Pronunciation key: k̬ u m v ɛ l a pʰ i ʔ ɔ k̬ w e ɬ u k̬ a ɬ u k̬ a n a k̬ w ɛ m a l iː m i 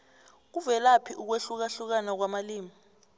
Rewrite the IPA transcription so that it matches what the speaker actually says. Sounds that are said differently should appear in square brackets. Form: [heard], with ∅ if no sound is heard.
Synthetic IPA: k̬ u [∅] v ɛ l a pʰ i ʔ [u] k̬ w e ɬ u k̬ a ɬ u k̬ a n a k̬ w [a] m a l iː m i